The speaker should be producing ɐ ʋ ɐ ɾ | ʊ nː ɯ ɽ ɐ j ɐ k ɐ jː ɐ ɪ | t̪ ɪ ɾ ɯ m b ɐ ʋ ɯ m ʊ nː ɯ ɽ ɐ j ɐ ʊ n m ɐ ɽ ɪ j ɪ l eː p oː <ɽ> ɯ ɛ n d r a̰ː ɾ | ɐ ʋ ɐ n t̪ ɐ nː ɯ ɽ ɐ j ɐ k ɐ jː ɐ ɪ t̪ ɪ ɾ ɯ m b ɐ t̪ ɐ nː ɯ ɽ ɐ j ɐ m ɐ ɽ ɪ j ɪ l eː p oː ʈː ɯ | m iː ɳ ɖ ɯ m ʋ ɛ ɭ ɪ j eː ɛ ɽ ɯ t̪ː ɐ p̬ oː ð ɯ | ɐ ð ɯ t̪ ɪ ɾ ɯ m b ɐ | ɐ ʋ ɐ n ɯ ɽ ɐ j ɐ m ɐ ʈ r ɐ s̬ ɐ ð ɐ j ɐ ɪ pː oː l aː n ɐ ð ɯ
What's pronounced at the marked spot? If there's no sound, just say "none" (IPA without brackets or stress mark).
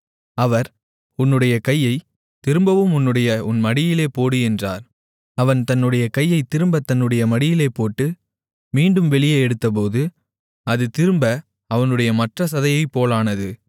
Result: ɽ